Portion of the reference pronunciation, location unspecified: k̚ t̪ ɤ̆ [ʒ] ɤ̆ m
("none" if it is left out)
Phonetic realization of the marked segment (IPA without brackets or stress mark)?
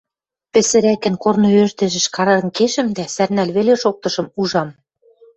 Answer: ʃ